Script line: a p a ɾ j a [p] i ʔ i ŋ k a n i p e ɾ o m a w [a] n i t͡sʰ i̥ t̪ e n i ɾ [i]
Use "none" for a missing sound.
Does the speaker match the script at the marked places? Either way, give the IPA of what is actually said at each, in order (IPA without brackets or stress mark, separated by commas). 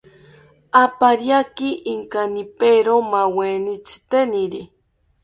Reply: k, e, i